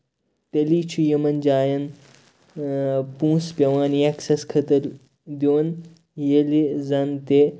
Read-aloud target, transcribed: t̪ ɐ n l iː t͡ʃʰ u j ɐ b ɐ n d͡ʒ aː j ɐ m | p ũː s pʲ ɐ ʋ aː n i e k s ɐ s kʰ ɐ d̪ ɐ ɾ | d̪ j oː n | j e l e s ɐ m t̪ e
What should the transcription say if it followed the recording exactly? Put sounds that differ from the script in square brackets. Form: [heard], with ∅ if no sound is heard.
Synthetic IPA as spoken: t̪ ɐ [∅] l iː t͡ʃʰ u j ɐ [m] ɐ n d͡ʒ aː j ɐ [n] | p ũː s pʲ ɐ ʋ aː n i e k s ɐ s kʰ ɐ [t̪] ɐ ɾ | d̪ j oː n | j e l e [z] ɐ [n] t̪ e